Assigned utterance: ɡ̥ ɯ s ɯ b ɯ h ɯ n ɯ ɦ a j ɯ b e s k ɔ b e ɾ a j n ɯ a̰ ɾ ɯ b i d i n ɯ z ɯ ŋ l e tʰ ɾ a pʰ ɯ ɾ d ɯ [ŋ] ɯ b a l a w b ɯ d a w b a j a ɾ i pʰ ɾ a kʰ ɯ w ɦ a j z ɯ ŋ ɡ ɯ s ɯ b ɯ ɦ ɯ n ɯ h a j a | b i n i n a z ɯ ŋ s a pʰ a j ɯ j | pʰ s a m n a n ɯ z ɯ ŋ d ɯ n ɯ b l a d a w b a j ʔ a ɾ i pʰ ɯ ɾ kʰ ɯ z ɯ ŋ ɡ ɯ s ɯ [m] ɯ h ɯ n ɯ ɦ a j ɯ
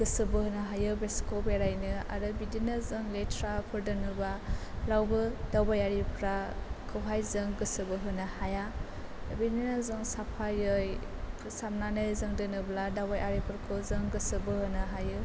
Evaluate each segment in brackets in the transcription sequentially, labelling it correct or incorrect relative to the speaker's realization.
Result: incorrect: n, incorrect: b

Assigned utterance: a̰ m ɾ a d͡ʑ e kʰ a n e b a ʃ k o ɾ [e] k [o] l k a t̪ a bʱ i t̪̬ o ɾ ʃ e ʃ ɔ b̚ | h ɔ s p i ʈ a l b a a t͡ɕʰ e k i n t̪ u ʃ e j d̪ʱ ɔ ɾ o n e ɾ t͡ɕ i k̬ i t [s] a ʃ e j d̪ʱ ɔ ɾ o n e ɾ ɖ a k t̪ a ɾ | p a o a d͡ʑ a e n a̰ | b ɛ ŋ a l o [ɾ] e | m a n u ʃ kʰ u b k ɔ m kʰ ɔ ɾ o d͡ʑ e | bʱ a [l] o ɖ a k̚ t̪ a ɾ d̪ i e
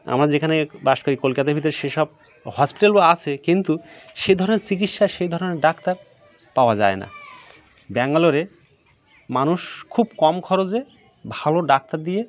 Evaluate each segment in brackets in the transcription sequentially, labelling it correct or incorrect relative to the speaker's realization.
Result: incorrect: i, correct, incorrect: ʃ, correct, correct

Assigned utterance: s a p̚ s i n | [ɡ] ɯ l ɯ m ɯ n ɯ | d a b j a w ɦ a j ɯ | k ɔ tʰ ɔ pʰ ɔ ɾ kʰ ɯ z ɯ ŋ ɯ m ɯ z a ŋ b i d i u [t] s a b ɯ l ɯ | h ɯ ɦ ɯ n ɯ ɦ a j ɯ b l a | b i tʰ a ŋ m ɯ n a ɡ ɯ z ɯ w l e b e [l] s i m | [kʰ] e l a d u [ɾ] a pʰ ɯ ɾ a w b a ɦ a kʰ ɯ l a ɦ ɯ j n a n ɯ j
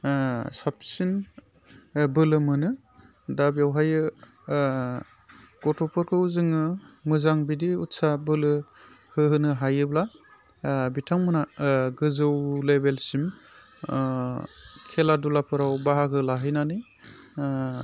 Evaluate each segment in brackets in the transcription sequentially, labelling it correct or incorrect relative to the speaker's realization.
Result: incorrect: b, correct, correct, correct, incorrect: l

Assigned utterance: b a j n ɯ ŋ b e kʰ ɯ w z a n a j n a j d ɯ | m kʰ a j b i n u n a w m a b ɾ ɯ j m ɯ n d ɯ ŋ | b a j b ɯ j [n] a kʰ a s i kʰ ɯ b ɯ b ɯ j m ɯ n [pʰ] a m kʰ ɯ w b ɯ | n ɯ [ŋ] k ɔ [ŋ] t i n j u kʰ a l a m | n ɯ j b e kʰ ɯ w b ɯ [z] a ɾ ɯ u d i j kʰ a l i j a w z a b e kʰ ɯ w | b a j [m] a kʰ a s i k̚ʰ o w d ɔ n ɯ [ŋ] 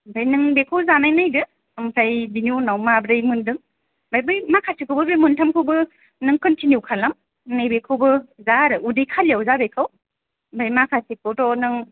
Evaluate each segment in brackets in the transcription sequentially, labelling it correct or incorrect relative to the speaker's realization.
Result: incorrect: m, incorrect: tʰ, correct, incorrect: n, correct, correct, correct

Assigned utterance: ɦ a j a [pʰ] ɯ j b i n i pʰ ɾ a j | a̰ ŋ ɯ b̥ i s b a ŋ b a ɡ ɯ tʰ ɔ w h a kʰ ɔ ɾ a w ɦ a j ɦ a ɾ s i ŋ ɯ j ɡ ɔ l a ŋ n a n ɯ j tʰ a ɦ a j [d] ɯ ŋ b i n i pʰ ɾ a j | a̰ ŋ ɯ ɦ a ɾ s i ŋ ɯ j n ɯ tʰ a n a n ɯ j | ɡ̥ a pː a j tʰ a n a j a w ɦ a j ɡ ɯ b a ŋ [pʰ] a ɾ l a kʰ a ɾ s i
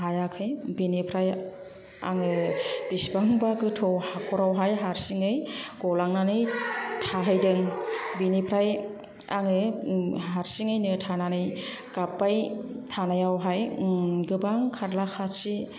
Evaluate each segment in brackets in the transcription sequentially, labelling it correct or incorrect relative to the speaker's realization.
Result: incorrect: kʰ, correct, incorrect: kʰ

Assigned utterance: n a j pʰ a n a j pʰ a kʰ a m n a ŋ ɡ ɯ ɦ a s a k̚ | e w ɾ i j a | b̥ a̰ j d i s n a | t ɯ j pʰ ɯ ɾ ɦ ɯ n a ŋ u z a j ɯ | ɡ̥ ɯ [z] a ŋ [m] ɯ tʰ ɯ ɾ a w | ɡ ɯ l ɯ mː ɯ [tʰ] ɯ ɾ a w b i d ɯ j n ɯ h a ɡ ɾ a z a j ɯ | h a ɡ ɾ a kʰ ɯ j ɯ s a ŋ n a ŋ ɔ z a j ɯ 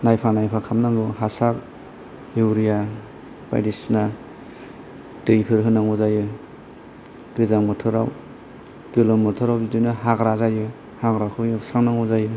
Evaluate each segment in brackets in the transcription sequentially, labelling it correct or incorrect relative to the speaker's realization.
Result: correct, correct, correct

